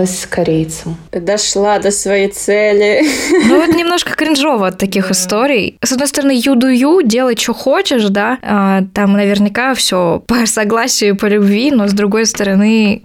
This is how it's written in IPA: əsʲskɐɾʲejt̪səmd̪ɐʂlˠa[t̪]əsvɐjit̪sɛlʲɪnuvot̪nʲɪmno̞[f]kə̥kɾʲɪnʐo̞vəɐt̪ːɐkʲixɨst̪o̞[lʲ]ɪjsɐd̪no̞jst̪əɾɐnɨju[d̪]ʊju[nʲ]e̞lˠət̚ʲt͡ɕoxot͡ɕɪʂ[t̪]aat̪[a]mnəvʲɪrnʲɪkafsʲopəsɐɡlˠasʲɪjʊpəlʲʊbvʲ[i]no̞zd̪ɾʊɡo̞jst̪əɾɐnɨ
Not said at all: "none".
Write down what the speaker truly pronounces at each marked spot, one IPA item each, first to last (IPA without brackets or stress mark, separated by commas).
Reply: d̪, ʂ, ɾʲ, d̪, dʲ, d̪, a, i